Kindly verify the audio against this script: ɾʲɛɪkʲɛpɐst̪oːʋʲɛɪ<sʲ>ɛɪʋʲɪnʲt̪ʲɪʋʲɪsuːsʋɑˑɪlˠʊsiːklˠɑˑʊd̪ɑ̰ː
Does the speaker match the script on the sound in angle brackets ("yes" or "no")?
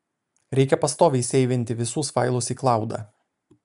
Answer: yes